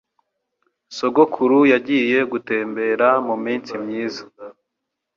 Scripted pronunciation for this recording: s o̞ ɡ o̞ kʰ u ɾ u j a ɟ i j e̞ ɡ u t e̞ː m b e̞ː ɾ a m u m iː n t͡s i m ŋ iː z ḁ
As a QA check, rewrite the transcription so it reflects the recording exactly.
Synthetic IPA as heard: s o̞ ɡ o̞ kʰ u ɾ u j a ɟ i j e̞ ɡ u t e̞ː m b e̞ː ɾ a m u m iː n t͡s i m ɲ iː z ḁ